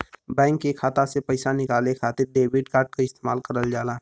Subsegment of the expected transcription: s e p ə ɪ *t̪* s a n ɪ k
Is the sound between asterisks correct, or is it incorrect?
incorrect